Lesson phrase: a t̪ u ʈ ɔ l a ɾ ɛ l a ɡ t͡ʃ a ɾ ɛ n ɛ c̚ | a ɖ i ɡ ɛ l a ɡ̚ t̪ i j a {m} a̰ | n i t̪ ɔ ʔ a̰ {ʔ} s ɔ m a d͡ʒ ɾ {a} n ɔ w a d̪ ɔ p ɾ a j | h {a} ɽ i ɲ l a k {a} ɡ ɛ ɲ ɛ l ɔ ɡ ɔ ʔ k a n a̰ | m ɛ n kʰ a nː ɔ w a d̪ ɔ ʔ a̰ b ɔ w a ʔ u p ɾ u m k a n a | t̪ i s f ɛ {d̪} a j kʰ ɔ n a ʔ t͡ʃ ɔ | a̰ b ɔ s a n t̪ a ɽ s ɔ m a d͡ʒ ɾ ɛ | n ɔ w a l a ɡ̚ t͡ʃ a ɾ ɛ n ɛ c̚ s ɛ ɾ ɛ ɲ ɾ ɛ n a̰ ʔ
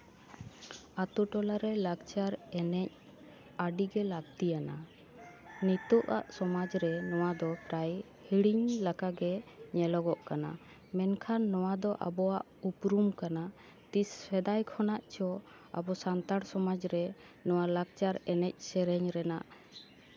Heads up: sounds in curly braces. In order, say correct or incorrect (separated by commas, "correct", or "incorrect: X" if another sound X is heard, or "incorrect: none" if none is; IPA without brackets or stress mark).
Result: incorrect: n, correct, incorrect: ɛ, incorrect: i, correct, correct